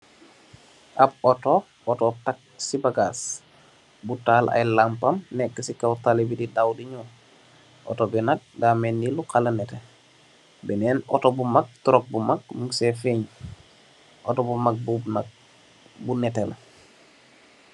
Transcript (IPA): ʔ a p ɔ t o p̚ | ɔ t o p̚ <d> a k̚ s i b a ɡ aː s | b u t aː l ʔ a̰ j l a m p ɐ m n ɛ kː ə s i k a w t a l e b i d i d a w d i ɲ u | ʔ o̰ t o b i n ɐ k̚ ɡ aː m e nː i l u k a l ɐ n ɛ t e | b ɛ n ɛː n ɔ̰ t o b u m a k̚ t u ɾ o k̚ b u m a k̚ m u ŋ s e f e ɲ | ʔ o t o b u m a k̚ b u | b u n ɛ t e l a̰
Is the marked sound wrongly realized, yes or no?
yes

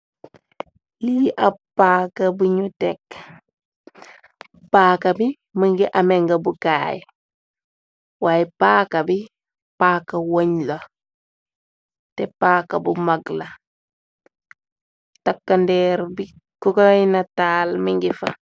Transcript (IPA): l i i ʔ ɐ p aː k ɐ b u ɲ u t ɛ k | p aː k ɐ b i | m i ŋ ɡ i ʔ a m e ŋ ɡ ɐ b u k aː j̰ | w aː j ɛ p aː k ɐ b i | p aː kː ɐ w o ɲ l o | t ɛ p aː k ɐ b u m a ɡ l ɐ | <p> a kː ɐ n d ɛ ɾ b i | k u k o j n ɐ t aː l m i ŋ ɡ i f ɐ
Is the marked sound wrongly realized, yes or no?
yes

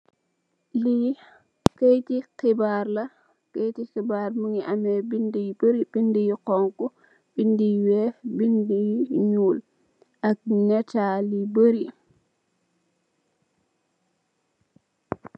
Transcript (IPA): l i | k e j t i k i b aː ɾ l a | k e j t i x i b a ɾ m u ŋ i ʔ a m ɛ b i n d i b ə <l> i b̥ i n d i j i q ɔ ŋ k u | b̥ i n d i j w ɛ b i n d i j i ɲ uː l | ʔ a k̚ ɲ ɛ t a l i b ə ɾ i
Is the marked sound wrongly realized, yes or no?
yes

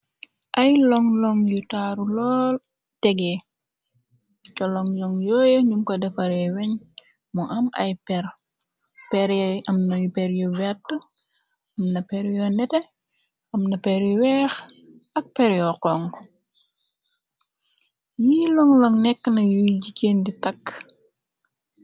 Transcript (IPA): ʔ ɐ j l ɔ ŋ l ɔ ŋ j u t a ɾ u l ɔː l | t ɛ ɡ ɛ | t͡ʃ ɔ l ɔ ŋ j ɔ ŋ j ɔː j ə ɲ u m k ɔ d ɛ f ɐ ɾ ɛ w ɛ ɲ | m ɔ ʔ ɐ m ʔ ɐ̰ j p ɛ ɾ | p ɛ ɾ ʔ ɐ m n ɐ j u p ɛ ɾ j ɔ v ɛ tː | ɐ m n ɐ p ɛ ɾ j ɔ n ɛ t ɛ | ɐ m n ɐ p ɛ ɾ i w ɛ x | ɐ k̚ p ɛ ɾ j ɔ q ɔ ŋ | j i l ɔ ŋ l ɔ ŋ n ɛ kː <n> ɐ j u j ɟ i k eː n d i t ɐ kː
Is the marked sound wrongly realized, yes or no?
no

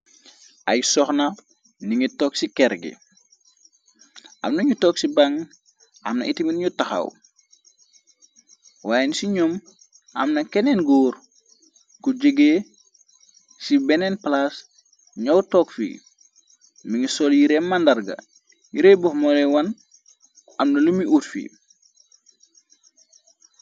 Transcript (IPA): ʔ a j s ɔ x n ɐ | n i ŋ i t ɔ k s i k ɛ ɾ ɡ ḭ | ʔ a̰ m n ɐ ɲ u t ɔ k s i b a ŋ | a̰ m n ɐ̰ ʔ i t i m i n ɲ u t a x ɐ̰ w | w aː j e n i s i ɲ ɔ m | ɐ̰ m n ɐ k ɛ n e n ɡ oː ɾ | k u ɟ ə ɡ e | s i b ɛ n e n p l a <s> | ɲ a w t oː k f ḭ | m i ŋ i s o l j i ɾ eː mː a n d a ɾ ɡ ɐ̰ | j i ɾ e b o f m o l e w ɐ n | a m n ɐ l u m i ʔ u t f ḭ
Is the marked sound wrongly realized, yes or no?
no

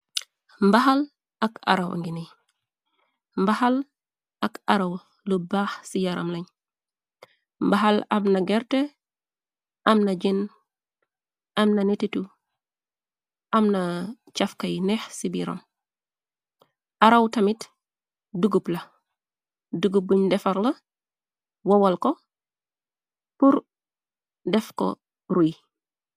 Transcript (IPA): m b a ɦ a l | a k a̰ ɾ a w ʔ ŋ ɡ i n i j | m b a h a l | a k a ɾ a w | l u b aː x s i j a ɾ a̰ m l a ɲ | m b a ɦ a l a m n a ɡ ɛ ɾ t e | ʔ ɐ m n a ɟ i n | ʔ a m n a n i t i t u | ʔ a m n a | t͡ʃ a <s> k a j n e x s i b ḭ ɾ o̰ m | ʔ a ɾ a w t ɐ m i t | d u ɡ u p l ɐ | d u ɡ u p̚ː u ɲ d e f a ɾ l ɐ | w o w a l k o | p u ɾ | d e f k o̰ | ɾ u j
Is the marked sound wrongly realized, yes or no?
yes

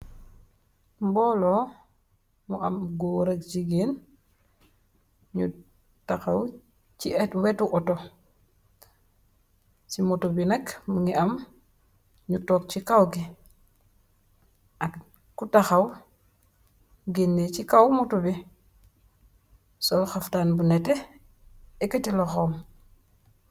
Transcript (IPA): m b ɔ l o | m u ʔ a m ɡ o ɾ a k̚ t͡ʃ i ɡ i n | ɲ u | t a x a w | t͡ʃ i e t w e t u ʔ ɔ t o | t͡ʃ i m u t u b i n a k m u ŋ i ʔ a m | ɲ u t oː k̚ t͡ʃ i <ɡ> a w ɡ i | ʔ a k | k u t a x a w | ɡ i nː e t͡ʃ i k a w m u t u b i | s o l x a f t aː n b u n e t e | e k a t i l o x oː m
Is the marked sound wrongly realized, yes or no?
yes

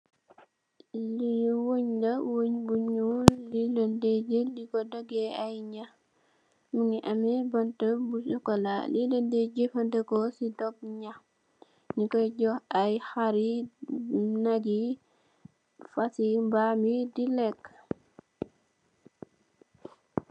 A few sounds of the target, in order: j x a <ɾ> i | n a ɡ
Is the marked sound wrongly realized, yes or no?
no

